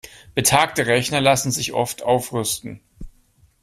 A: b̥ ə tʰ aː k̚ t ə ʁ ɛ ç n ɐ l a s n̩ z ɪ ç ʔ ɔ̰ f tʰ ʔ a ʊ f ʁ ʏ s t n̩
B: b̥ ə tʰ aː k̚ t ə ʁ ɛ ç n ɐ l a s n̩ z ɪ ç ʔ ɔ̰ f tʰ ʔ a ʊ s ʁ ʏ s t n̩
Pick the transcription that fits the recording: A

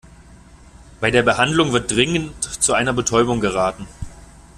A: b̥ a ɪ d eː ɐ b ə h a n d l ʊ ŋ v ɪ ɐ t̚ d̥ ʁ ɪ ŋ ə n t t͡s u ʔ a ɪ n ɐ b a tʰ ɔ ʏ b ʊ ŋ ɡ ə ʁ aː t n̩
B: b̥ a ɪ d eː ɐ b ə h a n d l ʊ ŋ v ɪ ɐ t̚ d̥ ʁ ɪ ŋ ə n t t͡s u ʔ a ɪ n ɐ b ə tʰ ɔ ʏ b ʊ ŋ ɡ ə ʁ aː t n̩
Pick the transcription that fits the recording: B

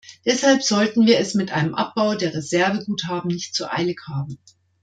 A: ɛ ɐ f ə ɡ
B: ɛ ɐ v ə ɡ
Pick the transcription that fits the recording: B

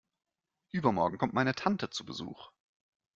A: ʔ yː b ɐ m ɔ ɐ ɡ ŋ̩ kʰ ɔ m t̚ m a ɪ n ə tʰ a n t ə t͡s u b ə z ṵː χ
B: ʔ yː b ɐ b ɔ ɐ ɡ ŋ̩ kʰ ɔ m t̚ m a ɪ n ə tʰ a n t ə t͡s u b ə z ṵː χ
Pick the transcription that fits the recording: A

